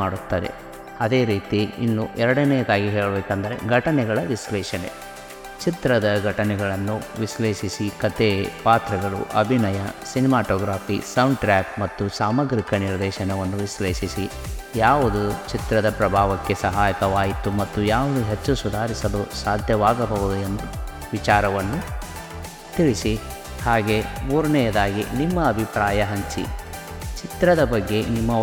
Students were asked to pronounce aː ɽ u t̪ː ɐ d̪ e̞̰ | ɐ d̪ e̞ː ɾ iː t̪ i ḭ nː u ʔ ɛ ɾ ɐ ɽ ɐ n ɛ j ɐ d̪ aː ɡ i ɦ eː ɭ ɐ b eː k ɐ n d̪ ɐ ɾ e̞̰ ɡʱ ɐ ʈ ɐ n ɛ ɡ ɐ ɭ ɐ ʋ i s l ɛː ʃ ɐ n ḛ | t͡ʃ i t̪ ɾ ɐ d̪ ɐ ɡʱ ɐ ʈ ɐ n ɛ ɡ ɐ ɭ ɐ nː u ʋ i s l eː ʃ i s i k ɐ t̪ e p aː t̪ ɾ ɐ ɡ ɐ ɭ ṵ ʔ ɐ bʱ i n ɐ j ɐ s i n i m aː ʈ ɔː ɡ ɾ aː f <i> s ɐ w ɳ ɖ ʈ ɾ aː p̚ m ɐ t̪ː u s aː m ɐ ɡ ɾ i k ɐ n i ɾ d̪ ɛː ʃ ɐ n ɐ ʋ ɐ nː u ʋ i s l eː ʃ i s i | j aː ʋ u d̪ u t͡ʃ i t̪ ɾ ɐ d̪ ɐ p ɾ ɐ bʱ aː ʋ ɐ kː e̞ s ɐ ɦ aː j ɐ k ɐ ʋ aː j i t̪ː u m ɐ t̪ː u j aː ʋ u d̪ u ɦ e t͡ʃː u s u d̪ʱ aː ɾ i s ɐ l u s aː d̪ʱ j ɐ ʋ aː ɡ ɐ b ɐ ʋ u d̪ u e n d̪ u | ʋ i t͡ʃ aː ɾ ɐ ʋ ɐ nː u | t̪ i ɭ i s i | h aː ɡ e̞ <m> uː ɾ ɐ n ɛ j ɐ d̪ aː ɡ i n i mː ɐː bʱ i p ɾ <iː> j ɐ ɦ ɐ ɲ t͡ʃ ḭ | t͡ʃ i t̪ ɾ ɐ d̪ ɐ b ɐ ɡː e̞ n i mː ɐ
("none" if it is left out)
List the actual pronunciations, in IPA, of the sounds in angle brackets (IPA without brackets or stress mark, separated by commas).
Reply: i, m, aː